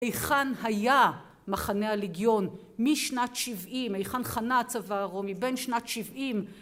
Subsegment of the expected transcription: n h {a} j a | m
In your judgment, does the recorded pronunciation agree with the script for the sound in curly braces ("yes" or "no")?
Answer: yes